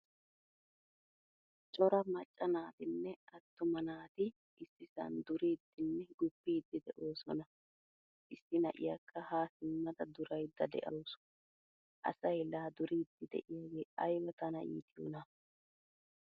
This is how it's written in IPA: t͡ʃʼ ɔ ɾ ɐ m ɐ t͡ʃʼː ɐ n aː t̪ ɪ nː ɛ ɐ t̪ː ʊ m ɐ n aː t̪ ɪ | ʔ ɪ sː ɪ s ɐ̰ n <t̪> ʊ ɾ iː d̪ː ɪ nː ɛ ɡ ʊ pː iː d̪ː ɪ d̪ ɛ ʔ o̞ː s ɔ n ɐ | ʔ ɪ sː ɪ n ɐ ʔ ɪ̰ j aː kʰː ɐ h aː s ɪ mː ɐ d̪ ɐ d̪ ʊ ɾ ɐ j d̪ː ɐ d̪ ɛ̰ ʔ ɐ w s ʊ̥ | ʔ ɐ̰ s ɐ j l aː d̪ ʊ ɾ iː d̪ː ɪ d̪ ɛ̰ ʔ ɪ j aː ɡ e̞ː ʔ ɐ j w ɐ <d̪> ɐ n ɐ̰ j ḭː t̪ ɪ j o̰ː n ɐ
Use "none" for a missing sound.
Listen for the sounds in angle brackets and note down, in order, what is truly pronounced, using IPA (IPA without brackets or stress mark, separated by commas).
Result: d̪, t̪